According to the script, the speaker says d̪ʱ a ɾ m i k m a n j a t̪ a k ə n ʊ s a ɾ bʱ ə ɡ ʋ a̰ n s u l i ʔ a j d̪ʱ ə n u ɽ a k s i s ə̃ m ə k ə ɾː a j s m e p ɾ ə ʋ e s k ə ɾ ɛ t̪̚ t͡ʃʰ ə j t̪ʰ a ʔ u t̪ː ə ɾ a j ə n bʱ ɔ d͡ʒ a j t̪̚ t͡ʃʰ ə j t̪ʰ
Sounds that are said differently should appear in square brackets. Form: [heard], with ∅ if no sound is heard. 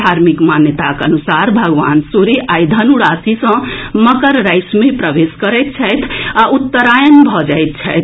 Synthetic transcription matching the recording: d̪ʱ a ɾ m i k m a n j [ə] t̪ a k ə n [u] s a ɾ bʱ ə ɡ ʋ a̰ n s u [ɾ] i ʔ a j d̪ʱ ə n u ɽ a [∅] s i s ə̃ m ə k ə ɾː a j s m e p ɾ ə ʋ e s k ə ɾ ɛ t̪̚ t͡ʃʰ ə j t̪ʰ a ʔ u t̪ː ə ɾ a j ə n bʱ ɔ d͡ʒ a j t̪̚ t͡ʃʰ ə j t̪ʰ